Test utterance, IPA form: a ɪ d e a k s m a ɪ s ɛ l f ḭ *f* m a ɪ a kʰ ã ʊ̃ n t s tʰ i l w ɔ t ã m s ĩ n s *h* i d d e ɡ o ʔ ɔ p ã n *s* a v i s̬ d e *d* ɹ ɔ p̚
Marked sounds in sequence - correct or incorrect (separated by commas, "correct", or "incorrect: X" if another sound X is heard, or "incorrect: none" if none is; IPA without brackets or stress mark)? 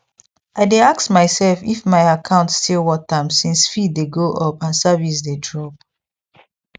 correct, incorrect: f, correct, correct